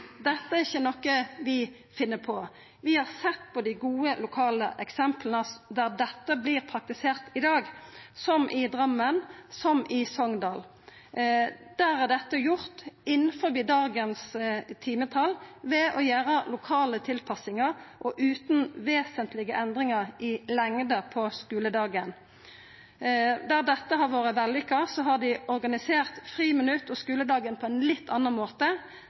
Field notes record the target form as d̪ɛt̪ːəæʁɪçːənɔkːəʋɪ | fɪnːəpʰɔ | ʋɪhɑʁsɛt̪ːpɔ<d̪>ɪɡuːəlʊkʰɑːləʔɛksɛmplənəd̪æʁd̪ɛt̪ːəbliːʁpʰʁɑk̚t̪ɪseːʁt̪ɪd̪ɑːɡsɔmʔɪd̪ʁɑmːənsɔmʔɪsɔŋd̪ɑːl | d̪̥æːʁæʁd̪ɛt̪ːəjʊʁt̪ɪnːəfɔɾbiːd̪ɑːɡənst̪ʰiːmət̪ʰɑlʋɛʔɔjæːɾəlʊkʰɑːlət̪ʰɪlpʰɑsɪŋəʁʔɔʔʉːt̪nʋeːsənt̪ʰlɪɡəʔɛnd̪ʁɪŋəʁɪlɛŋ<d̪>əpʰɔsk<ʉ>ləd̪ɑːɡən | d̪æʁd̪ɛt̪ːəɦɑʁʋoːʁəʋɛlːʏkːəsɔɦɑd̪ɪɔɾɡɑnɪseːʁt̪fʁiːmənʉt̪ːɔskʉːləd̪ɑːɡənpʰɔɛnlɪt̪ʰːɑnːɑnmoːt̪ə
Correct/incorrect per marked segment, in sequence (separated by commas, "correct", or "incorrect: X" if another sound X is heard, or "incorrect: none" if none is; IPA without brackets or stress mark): correct, correct, incorrect: ʉː